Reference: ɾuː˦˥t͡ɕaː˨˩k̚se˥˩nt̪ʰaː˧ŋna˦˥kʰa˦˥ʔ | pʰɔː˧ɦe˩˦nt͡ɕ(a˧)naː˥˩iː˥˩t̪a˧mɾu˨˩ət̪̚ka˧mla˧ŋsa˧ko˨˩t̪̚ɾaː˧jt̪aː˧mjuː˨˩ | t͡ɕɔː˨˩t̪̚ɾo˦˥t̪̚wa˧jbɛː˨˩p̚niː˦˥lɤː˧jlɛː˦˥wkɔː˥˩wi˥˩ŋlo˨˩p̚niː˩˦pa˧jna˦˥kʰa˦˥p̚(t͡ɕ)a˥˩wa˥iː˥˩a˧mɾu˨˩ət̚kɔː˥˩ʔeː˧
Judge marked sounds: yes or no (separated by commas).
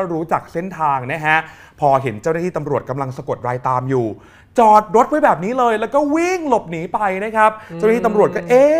no, yes